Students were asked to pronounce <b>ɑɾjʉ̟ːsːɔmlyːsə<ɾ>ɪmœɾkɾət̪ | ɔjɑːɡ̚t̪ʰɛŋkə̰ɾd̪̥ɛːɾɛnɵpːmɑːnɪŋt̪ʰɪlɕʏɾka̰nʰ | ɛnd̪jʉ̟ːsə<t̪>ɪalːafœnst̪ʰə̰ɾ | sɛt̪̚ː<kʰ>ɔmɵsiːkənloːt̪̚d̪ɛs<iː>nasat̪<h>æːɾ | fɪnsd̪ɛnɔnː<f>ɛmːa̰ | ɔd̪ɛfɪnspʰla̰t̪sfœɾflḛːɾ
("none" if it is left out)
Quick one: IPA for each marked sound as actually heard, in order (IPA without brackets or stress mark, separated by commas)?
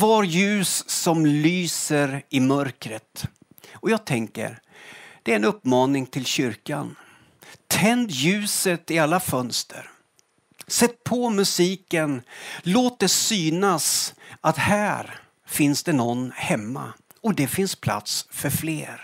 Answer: v, ɾ, t̪, pʰ, yː, h, h